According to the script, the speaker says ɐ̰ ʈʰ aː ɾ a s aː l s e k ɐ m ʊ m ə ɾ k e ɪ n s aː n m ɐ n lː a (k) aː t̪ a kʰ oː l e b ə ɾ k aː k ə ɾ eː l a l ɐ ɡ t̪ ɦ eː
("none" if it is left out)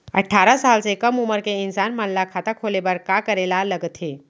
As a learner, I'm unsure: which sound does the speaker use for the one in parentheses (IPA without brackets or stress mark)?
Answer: kʰ